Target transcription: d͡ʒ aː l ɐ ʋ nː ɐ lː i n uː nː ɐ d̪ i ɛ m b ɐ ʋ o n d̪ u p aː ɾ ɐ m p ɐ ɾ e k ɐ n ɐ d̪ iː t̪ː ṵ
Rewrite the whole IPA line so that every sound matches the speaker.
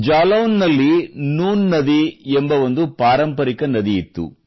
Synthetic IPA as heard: d͡ʒ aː l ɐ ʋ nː ɐ lː i n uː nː ɐ d̪ i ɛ m b ɐ ʋ o n d̪ u p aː ɾ ɐ m p ɐ ɾ i k ɐ n ɐ d̪ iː t̪ː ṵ